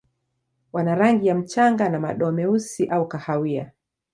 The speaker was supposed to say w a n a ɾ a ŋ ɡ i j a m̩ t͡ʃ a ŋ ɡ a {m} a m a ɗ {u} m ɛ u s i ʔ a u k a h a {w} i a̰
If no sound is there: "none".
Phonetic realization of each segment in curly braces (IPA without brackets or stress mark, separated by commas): n, ɔ, w